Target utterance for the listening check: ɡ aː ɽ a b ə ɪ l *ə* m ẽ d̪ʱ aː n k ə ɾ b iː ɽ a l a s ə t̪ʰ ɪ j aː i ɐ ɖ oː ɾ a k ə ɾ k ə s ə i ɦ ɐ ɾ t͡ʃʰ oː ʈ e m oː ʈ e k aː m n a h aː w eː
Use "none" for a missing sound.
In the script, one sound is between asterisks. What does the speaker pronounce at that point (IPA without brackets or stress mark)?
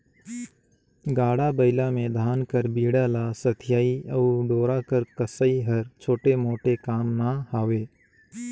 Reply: a